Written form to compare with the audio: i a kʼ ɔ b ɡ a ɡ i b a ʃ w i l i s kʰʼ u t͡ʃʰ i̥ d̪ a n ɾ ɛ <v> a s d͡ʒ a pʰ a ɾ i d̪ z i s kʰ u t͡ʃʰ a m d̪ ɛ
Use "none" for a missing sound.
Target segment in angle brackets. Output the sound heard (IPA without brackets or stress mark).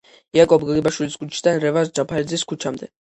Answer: v